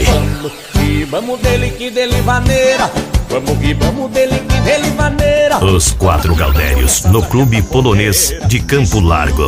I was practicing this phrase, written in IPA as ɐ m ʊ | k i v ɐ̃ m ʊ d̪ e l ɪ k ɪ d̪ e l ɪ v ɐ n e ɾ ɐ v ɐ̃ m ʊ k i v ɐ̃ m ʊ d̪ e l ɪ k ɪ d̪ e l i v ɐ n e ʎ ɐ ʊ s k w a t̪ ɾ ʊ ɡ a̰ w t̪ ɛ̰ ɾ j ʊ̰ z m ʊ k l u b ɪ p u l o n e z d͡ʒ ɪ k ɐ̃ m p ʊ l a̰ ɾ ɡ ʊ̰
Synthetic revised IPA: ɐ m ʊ | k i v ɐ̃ m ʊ d̪ e l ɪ k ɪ d̪ e l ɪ v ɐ n e ɾ ɐ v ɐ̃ m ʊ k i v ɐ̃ m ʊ d̪ e l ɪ k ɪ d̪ e l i v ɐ n e ɾ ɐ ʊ s k w a t̪ ɾ ʊ ɡ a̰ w d̪ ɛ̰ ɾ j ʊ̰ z n ʊ k l u b ɪ p o l o n e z d͡ʒ ɪ k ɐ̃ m p ʊ l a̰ ɾ ɡ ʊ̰